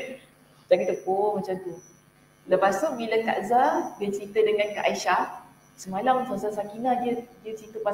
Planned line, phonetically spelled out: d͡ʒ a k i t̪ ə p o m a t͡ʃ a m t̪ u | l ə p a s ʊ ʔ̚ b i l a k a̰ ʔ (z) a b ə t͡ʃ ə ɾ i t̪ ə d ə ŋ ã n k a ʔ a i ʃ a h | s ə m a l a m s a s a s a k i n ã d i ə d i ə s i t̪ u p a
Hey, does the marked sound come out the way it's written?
yes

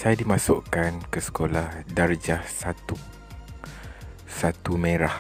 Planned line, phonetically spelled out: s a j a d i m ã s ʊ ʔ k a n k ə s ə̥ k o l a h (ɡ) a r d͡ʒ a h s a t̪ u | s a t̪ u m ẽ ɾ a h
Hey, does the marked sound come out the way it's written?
no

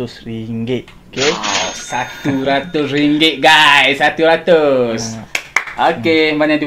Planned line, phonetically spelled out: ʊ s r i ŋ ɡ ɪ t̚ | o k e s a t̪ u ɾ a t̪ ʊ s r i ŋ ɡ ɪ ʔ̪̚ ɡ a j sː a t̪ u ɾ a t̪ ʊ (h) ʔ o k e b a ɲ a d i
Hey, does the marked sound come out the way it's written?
no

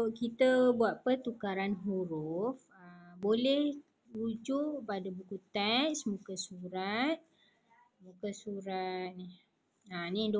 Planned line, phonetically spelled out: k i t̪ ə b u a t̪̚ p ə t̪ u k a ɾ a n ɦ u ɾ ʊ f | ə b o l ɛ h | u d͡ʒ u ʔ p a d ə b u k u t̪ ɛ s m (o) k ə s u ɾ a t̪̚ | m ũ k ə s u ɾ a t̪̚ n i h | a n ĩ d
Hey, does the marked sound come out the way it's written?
no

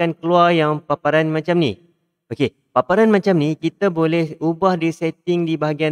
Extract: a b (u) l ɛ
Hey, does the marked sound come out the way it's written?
no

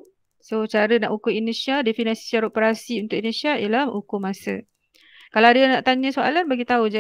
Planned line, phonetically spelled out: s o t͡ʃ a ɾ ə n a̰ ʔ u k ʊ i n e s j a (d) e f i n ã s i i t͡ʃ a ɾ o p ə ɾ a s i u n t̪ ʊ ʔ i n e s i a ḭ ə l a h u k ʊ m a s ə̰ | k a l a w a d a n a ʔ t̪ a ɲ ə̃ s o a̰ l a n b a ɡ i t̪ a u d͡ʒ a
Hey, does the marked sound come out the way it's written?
yes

